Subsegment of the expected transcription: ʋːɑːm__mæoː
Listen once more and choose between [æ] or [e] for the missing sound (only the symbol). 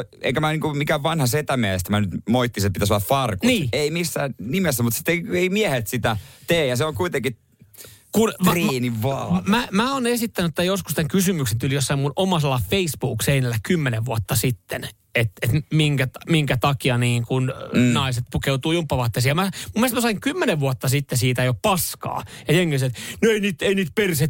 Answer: æ